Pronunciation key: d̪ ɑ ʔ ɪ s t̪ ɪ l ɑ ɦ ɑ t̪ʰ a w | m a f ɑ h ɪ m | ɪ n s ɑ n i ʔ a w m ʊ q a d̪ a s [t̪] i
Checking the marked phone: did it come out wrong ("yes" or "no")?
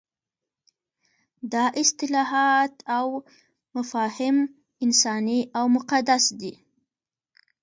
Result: yes